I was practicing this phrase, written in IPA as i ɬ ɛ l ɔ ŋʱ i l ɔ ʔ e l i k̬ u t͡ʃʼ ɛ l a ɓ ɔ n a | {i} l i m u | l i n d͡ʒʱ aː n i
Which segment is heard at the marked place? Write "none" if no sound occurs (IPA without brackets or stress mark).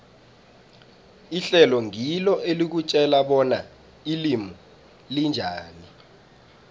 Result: i